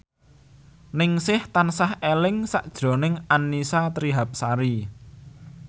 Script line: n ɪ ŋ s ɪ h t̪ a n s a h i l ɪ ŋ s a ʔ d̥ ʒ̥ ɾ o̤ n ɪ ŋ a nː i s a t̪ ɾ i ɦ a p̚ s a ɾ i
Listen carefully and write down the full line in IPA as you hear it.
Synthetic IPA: n ɪ ŋ s ɪ h t̪ a n s a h e l ɪ ŋ s a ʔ d̥ ʒ̥ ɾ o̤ n ɪ ŋ a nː i s a t̪ ɾ i ɦ a p̚ s a ɾ i